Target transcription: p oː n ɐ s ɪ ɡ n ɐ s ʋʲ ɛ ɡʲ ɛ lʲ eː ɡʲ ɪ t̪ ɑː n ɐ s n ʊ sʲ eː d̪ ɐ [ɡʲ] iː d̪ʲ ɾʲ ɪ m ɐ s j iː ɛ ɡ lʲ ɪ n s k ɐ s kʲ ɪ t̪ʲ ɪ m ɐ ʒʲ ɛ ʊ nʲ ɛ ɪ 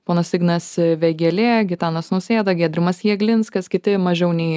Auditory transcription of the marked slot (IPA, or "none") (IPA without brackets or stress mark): ɡʲ